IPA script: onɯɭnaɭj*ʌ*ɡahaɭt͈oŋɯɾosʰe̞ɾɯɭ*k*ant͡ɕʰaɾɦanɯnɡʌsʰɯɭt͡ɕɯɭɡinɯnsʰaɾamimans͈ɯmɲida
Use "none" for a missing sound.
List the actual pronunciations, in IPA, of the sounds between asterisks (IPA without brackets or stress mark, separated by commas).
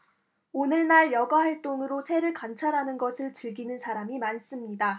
ʌ, k